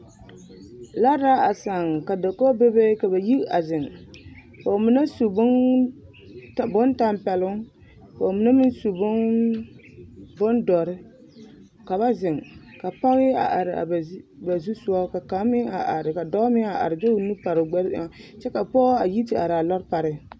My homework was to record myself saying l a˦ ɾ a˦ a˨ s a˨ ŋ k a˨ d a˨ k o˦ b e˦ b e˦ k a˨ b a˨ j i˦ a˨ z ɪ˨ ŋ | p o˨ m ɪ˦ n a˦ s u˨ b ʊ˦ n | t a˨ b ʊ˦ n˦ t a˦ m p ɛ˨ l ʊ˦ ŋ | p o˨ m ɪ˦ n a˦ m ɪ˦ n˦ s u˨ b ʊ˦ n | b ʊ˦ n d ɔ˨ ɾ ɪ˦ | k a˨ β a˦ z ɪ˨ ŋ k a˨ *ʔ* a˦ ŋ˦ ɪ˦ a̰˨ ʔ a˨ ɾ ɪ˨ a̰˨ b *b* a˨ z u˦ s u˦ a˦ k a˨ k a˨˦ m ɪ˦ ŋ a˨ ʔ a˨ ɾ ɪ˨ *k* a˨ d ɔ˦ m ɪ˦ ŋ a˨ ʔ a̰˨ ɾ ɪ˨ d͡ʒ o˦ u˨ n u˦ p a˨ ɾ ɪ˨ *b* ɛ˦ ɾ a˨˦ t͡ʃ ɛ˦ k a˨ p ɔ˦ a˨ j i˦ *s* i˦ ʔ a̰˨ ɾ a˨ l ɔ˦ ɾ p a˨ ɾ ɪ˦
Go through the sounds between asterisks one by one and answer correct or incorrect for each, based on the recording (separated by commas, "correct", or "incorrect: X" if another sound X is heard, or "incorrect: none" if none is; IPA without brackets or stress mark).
incorrect: p, correct, correct, incorrect: ɡ͡b, incorrect: t